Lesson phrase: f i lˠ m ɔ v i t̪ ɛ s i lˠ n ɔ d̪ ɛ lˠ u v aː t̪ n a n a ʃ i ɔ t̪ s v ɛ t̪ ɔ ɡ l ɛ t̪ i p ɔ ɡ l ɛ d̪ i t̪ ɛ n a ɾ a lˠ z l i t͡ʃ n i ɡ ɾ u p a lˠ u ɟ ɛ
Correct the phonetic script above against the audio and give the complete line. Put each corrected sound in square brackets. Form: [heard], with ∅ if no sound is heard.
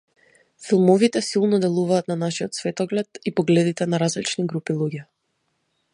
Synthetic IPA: f i lˠ m ɔ v i t̪ ɛ s i lˠ n ɔ d̪ ɛ lˠ u v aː t̪ n a n a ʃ i ɔ t̪ s v ɛ t̪ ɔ ɡ l ɛ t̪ i p ɔ ɡ l ɛ d̪ i t̪ ɛ n a ɾ a [∅] z l i t͡ʃ n i ɡ ɾ u p [i] lˠ u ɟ ɛ